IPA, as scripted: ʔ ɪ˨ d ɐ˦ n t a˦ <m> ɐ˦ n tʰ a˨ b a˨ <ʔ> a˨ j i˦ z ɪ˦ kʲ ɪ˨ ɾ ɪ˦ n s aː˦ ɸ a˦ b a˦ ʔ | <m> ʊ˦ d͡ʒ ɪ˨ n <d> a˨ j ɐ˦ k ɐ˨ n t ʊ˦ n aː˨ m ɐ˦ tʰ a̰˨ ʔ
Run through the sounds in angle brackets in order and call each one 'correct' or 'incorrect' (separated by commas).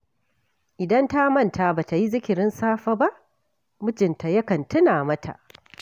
correct, incorrect, correct, incorrect